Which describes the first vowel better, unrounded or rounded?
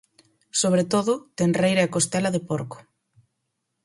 rounded